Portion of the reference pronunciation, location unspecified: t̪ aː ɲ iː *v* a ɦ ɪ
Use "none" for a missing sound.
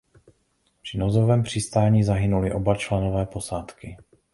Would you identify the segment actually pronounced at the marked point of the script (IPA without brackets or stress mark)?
z